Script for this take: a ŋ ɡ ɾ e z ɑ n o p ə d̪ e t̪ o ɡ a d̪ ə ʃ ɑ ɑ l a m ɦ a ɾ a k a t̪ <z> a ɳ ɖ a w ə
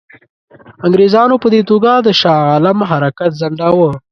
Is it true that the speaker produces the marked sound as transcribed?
yes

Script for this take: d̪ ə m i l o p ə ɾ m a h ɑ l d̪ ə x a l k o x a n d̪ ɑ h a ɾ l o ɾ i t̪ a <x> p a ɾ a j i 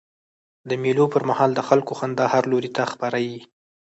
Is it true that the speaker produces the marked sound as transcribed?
yes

